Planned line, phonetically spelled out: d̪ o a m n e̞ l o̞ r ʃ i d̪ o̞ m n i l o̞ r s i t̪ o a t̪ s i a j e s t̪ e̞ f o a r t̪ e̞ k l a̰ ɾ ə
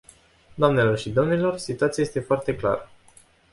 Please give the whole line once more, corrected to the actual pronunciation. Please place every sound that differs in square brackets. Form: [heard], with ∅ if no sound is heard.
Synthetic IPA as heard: d̪ o a m n e̞ l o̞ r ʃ i d̪ o̞ m n i l o̞ r s i t̪ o a t̪ s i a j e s t̪ e̞ f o a r t̪ e̞ k l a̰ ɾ ə